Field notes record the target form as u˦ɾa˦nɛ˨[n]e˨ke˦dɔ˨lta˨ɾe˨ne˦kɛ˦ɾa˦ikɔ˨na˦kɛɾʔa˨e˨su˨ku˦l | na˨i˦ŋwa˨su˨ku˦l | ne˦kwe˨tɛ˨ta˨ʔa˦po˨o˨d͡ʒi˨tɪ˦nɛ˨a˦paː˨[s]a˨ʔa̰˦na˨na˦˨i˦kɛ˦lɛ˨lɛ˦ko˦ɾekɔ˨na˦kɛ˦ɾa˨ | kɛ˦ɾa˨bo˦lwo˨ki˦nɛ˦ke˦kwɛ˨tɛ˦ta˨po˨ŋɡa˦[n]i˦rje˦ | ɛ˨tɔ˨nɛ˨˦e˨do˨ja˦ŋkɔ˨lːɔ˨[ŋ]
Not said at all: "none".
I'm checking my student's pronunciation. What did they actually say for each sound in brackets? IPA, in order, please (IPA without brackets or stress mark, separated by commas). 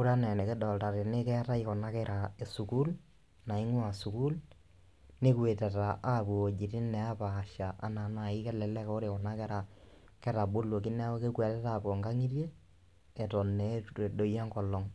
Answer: n, ʃ, ŋ, ŋ